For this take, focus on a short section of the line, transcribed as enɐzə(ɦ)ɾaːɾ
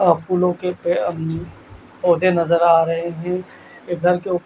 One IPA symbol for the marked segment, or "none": none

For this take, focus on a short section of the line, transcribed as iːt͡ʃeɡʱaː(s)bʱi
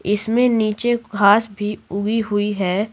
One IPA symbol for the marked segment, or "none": s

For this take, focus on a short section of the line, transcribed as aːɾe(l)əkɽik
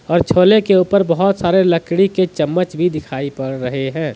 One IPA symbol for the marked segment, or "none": l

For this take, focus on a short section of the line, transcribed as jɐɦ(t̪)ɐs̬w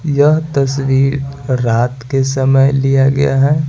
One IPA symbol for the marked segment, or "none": t̪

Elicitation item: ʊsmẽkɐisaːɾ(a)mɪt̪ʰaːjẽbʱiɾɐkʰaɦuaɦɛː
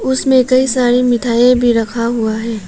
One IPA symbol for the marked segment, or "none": i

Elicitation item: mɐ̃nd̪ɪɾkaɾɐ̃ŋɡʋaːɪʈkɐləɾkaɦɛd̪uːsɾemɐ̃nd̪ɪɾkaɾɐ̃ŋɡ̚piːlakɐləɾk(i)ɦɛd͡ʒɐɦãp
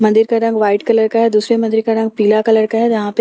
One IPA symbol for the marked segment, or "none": a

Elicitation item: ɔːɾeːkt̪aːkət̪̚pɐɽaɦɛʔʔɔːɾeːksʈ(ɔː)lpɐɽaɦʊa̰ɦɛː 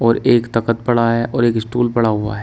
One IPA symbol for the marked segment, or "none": uː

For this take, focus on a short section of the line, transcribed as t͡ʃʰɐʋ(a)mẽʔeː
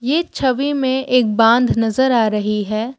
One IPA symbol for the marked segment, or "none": i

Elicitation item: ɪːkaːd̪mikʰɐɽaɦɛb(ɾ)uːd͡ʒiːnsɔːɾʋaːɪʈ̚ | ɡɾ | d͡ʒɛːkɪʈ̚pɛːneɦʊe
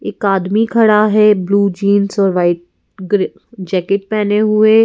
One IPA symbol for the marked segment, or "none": l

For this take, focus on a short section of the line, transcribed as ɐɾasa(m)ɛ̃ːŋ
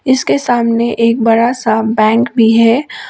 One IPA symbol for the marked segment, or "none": b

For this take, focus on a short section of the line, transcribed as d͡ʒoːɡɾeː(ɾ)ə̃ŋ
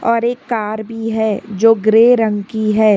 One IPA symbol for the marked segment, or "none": ɾ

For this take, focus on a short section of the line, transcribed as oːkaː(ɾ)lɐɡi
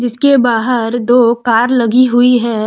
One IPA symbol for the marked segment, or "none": ɾ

